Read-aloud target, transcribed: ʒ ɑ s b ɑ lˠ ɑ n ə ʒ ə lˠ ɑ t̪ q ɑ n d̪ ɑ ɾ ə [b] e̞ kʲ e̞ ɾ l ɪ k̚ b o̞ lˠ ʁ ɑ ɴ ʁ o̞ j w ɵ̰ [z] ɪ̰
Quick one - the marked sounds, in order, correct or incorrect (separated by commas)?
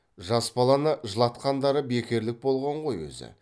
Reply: correct, correct